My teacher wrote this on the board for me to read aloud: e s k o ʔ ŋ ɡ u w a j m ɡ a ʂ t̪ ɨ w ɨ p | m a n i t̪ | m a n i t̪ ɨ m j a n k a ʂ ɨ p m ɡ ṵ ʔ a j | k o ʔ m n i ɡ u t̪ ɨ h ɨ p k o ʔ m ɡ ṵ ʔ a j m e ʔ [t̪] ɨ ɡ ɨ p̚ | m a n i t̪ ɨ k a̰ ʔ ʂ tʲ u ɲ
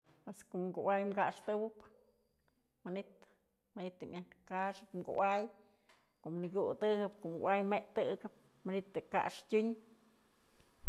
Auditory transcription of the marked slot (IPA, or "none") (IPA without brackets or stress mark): t̪